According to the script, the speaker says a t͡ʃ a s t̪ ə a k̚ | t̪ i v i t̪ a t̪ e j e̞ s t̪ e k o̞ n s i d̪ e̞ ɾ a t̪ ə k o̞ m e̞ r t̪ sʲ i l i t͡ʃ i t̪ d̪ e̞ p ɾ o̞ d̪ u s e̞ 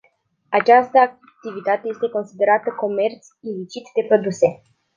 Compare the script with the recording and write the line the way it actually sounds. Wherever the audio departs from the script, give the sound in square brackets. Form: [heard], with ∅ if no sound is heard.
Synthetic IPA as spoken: a t͡ʃ a s t̪ ə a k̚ | t̪ i v i t̪ a t̪ e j e̞ s t̪ e k o̞ n s i d̪ e̞ ɾ a t̪ ə k o̞ m e̞ r t̪ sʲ i l i t͡ʃ i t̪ d̪ e̞ p ɾ o̞ d̪ u s e̞

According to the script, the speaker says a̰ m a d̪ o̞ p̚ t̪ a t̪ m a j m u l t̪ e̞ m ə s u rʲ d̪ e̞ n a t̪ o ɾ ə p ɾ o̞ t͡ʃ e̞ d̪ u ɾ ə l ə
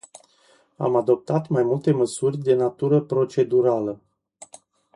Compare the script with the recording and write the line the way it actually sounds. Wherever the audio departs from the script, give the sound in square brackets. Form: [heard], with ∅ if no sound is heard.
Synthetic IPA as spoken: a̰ m a d̪ o̞ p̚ t̪ a t̪ m a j m u l t̪ e̞ m ə s u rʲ d̪ e̞ n a t̪ [u] ɾ ə p ɾ o̞ t͡ʃ e̞ d̪ u ɾ [a] l ə

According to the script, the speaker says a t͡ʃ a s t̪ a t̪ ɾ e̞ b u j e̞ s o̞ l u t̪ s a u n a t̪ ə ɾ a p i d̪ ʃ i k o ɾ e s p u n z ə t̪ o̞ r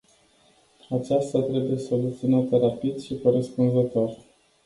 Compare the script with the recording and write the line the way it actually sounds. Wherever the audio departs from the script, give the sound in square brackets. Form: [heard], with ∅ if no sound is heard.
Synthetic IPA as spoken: a t͡ʃ a s t̪ a t̪ ɾ e̞ b u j e̞ s o̞ l u t̪ s [i] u n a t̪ ə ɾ a p i d̪ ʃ i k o ɾ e s p u n z ə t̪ o̞ r

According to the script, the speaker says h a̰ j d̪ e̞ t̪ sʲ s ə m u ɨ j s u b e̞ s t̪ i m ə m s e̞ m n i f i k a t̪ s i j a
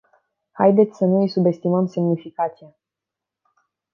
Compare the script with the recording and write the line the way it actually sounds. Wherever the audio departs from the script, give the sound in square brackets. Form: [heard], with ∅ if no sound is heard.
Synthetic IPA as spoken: h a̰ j d̪ e̞ t̪ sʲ s ə [n] u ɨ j s u b e̞ s t̪ i m ə m s e̞ m n i f i k a t̪ s i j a

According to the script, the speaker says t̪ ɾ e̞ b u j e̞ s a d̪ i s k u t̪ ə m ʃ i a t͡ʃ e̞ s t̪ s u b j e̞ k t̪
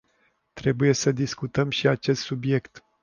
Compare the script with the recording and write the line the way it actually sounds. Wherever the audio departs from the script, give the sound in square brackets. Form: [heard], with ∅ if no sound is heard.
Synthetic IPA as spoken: t̪ ɾ e̞ b u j e̞ s [ə] d̪ i s k u t̪ ə m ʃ i a t͡ʃ e̞ s t̪ s u b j e̞ k t̪

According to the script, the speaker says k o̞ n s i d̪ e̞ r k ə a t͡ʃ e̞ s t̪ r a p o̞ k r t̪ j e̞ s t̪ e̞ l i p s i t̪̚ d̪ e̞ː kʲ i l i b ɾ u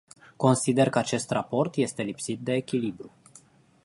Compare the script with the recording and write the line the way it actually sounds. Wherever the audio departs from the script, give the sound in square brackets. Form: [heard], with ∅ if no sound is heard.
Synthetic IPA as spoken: k o̞ n s i d̪ e̞ r k ə a t͡ʃ e̞ s t̪ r a p o̞ [∅] r t̪ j e̞ s t̪ e̞ l i p s i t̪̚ d̪ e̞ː kʲ i l i b ɾ u

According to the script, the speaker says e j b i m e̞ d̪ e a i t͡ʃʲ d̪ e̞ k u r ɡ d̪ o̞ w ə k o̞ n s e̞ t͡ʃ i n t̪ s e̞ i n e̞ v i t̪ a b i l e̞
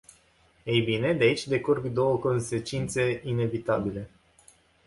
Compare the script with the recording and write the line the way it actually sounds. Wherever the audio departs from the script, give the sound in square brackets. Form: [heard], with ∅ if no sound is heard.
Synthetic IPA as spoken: e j b i [n] e̞ d̪ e a i t͡ʃʲ d̪ e̞ k u r ɡ d̪ o̞ w ə k o̞ n s e̞ t͡ʃ i n t̪ s e̞ i n e̞ v i t̪ a b i l e̞

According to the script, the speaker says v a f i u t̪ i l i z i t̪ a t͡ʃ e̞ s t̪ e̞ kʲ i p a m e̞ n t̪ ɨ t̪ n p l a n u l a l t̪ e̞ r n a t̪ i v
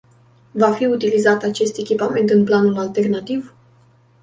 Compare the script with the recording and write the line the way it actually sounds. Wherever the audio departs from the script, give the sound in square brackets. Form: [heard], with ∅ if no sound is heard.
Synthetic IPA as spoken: v a f i u t̪ i l i z [a] t̪ a t͡ʃ e̞ s t̪ e̞ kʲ i p a m e̞ n t̪ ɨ [∅] n p l a n u l a l t̪ e̞ r n a t̪ i v

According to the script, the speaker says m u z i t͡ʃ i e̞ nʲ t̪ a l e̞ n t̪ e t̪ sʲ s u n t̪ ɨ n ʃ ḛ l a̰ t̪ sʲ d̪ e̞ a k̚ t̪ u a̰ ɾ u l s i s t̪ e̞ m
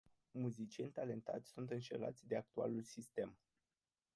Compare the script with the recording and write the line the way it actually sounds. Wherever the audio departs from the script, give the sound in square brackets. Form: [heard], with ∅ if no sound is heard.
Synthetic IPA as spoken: m u z i t͡ʃ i e̞ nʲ t̪ a l e̞ n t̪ [a] t̪ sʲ s u n t̪ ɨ n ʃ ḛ l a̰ t̪ sʲ d̪ e̞ a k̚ t̪ u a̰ [l] u l s i s t̪ e̞ m

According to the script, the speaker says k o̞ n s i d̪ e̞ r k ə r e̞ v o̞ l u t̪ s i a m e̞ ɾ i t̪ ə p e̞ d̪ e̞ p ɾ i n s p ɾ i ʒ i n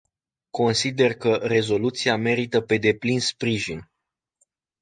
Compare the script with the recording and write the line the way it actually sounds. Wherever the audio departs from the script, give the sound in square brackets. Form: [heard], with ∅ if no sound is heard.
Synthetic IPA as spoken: k o̞ n s i d̪ e̞ r k ə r e̞ [z] o̞ l u t̪ s i a m e̞ ɾ i t̪ ə p e̞ d̪ e̞ p [l] i n s p ɾ i ʒ i n

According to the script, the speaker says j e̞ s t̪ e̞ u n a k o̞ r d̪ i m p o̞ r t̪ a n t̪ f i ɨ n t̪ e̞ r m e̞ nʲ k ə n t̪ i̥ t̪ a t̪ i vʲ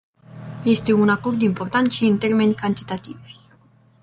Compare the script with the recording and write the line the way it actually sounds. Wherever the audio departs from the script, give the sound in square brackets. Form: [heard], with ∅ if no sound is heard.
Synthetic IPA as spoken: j e̞ s t̪ e̞ u n a k o̞ r d̪ i m p o̞ r t̪ a n t̪ [ʃ] i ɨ n t̪ e̞ r m e̞ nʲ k [a] n t̪ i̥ t̪ a t̪ i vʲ

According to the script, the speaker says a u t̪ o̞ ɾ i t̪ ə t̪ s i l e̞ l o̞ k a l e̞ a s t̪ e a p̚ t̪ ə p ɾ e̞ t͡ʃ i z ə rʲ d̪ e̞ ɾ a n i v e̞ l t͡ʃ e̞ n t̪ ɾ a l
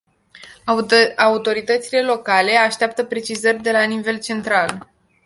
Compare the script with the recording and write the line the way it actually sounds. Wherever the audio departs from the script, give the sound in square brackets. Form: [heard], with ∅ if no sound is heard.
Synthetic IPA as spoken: a u t̪ o̞ ɾ i t̪ ə t̪ s i l e̞ l o̞ k a l e̞ a [ʃ] t̪ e a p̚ t̪ ə p ɾ e̞ t͡ʃ i z ə rʲ d̪ e̞ [l] a n i v e̞ l t͡ʃ e̞ n t̪ ɾ a l

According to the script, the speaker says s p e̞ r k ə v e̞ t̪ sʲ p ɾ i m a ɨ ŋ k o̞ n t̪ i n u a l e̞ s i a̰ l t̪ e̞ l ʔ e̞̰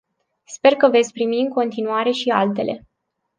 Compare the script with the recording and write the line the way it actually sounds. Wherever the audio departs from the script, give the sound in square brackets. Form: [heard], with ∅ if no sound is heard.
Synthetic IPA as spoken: s p e̞ r k ə v e̞ t̪ sʲ p ɾ i m [i] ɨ ŋ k o̞ n t̪ i n u a [ɾ] e̞ [ʃ] i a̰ l t̪ e̞ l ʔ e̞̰

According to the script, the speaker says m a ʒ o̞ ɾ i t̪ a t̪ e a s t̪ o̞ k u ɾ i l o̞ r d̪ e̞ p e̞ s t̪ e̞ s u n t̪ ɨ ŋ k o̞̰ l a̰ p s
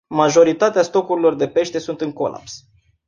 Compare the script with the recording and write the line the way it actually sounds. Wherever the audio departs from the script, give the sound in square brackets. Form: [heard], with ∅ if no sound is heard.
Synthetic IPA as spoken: m a ʒ o̞ ɾ i t̪ a t̪ e a s t̪ o̞ k u ɾ i l o̞ r d̪ e̞ p e̞ [ʃ] t̪ e̞ s u n t̪ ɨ ŋ k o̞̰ l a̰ p s

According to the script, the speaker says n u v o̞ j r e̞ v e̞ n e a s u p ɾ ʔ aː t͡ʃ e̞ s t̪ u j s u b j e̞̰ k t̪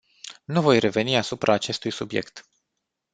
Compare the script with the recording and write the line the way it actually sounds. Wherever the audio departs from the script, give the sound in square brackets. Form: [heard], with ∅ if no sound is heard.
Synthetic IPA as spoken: n u v o̞ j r e̞ v e̞ n [i] a s u p ɾ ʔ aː t͡ʃ e̞ s t̪ u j s u b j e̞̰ k t̪

